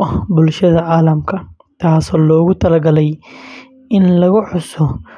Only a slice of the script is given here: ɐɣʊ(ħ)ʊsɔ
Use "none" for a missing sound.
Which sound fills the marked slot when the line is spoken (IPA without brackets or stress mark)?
ħ